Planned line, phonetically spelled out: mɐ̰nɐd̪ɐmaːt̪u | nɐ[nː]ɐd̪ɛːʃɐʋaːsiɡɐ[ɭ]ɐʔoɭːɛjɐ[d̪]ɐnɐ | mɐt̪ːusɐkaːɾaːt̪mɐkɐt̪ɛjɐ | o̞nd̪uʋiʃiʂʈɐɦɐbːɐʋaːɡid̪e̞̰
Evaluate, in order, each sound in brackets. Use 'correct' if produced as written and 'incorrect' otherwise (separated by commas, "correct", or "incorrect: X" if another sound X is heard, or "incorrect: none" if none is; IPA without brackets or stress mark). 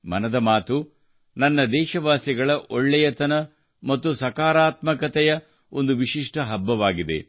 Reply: correct, correct, incorrect: t̪